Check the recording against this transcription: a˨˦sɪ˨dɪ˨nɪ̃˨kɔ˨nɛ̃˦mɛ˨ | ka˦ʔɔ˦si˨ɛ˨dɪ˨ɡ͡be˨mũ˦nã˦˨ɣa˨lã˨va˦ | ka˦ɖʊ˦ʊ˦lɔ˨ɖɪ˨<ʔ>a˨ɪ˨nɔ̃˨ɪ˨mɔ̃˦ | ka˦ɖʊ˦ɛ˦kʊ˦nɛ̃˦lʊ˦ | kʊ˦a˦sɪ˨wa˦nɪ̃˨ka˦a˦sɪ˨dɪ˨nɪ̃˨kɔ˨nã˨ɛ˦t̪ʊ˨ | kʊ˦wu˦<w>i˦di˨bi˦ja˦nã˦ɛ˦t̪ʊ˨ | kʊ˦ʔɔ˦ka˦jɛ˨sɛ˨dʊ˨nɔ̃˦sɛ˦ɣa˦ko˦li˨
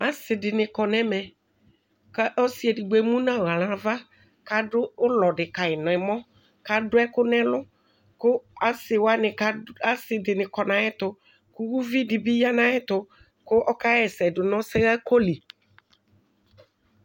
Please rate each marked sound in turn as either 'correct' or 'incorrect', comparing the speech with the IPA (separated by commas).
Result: incorrect, incorrect